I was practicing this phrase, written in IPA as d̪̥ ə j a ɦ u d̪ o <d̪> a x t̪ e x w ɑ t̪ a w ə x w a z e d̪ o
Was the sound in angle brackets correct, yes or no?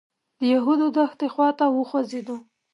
yes